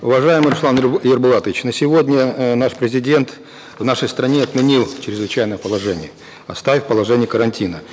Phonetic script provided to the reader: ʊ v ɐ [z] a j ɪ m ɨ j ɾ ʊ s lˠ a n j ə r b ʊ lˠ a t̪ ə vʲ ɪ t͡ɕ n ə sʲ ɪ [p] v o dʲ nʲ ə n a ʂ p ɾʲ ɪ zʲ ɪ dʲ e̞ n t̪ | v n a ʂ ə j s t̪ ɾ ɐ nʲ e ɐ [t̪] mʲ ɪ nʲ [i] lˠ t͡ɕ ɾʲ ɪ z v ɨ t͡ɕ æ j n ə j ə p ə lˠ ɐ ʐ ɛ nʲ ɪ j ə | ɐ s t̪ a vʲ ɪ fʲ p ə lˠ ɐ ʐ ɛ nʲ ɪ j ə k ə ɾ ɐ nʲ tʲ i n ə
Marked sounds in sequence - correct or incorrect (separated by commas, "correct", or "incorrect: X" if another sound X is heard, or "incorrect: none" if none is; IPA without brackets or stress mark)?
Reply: incorrect: ʐ, incorrect: none, correct, correct